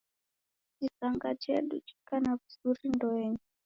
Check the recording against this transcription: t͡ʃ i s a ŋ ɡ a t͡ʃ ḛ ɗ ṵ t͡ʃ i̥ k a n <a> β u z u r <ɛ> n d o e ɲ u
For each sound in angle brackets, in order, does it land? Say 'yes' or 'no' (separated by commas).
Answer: yes, no